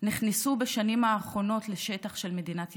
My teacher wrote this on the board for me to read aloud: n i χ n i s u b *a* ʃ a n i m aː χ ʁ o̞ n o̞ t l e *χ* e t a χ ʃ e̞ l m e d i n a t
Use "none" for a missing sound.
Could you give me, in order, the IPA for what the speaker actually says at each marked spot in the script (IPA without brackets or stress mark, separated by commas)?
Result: e, ʃ